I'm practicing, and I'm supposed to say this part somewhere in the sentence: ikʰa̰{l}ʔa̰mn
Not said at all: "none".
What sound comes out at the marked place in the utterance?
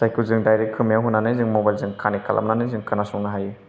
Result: l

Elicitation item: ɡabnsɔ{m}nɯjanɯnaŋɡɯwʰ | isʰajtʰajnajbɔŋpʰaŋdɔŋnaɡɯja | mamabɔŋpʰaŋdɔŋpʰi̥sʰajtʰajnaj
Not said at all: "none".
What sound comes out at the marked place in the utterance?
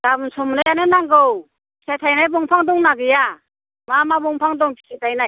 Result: m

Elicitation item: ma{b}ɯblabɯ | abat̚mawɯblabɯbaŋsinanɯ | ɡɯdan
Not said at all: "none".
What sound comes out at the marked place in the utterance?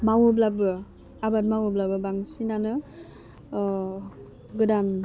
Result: w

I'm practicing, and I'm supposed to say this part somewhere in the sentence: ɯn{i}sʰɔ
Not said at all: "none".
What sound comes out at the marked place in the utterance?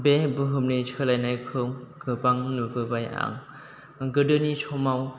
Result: i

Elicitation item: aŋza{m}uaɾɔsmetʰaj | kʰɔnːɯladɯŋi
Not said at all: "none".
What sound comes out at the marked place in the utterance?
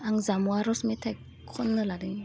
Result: m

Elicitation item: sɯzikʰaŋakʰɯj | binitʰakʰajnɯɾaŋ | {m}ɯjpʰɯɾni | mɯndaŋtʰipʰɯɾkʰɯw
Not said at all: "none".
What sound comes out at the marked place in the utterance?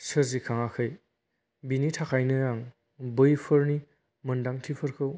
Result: b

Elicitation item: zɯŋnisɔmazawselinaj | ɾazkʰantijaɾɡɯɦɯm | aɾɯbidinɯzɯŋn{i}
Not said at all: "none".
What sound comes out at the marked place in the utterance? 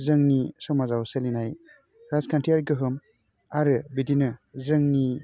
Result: i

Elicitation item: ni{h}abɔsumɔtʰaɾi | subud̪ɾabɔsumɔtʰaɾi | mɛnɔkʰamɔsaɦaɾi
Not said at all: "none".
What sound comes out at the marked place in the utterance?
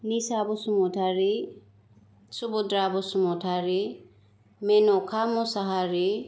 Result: s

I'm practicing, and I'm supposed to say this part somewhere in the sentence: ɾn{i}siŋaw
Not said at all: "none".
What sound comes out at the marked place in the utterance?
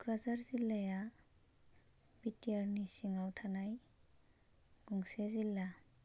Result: i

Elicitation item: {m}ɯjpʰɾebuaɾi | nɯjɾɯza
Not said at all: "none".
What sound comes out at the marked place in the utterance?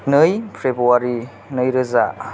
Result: n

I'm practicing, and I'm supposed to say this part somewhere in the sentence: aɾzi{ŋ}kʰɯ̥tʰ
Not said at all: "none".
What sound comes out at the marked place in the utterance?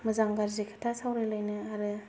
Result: none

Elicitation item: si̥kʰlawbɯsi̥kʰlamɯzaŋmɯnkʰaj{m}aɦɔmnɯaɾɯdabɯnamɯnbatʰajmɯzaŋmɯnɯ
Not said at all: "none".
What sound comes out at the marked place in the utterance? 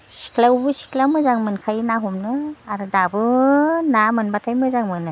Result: n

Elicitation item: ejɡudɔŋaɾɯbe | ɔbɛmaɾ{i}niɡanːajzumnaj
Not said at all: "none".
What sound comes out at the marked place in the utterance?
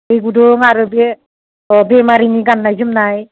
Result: i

